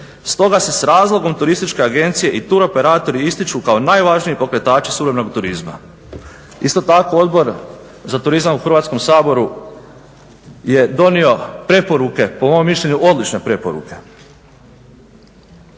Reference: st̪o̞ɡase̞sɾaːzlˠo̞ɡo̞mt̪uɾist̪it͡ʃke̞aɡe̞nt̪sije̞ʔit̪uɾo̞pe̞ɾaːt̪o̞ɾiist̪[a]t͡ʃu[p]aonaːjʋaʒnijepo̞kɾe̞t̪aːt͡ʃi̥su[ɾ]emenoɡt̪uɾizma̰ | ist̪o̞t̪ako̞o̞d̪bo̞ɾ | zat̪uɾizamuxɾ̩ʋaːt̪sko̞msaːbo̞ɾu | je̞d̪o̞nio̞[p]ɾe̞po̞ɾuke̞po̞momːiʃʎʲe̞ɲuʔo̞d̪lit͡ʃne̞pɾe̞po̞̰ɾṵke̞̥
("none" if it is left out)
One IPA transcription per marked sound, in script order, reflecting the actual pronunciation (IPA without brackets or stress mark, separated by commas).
i, k, ɾ, p